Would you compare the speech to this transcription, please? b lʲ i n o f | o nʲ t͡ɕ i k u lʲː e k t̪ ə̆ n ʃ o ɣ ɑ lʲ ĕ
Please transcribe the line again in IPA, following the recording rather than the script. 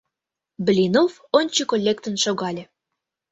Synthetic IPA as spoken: b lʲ i n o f | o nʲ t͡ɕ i k o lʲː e k t̪ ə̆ n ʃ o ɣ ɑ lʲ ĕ

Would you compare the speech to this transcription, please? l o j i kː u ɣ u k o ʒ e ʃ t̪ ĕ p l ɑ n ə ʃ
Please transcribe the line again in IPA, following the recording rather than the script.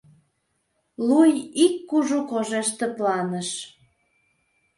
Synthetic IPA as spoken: l u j i kː u ʒ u k o ʒ e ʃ t̪ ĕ p l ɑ n ə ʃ

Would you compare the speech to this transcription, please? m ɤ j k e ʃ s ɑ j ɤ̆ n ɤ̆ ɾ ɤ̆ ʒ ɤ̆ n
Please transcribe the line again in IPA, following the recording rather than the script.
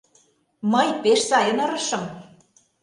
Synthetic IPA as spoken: m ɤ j p e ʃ s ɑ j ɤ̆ n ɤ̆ ɾ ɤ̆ ʃ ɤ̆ m

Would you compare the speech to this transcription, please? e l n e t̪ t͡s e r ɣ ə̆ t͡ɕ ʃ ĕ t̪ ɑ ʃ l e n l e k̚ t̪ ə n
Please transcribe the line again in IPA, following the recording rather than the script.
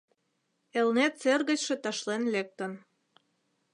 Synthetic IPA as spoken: e l n e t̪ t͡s e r ɣ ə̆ t͡ɕ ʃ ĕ t̪ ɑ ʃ l e n l e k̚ t̪ ə n

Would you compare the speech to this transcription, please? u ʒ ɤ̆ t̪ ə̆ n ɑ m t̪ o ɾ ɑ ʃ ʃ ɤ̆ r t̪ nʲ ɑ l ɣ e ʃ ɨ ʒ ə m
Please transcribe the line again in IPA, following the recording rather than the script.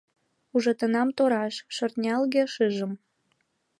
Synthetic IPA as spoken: u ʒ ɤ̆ t̪ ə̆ n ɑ m t̪ o ɾ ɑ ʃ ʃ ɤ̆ r t̪ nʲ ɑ l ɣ e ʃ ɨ ʒ ə m

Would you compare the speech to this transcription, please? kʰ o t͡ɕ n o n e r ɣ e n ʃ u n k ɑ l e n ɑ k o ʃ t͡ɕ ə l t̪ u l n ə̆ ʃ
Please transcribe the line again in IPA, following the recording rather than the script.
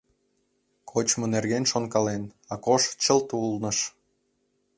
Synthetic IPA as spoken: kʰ o t͡ɕ m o n e r ɣ e n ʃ o n k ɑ l e n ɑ k o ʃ t͡ɕ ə l t̪ u l n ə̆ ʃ

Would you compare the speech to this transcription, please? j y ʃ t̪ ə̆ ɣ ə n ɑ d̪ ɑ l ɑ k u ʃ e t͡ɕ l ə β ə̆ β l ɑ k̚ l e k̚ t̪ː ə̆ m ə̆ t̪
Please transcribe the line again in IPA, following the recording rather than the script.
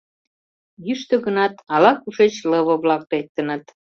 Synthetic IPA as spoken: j y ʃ t̪ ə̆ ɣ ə n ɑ t̪ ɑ l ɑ k u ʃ e t͡ɕ l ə β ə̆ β l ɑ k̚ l e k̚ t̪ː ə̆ n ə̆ t̪

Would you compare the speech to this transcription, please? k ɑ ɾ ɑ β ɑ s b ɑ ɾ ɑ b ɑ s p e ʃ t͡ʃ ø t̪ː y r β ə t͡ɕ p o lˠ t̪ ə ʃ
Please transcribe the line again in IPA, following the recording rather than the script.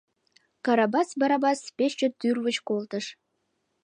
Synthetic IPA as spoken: k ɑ ɾ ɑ b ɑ s b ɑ ɾ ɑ b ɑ s p e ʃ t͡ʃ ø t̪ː y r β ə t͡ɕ k o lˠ t̪ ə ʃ

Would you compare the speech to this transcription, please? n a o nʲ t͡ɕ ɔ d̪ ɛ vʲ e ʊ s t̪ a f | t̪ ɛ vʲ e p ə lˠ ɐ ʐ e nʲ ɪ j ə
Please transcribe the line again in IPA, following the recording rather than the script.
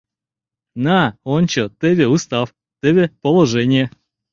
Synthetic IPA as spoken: n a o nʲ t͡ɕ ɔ t̪ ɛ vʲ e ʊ s t̪ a f | t̪ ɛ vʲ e p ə lˠ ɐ ʐ ɛ nʲ ɪ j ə

